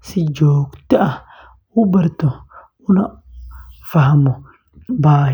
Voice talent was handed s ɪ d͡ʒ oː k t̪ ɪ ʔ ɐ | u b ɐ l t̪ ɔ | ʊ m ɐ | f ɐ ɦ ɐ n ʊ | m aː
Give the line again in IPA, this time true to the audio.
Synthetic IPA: s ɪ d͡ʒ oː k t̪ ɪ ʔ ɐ | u b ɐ ɾ t̪ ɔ | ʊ n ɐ | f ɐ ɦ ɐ m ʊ | b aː